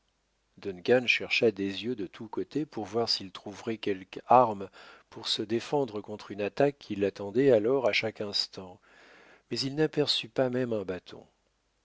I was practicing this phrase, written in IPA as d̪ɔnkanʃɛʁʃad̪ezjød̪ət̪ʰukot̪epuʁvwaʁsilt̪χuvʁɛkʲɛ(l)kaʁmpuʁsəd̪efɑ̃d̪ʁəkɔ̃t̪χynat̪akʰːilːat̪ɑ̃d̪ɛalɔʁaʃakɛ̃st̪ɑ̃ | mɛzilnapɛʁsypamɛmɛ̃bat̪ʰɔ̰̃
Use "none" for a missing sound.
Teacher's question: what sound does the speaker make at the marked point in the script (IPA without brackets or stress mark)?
l